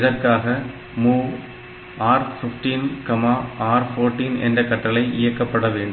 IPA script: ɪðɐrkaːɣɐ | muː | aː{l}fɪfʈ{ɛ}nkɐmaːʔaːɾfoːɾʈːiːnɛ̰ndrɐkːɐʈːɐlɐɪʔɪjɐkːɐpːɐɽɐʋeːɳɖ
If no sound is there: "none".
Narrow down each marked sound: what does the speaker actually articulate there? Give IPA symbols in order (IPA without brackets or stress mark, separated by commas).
ɾ, i